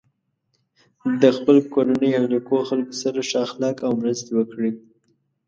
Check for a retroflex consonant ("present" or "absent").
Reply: present